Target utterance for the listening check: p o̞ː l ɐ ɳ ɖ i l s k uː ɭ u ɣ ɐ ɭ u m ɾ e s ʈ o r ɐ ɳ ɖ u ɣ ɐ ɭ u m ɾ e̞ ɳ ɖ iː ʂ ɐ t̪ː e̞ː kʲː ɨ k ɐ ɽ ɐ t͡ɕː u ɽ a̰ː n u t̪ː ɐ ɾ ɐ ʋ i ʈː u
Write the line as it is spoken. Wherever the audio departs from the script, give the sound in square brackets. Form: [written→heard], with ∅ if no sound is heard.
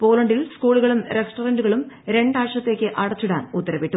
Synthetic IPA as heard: p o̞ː l ɐ ɳ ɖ i l s k uː ɭ u ɣ ɐ ɭ u m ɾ e s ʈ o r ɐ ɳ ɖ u ɣ ɐ ɭ u m ɾ e̞ ɳ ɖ [iː→aː] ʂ ɐ t̪ː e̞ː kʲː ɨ [k→ʔ] ɐ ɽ ɐ t͡ɕː u ɽ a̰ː n u t̪ː ɐ ɾ ɐ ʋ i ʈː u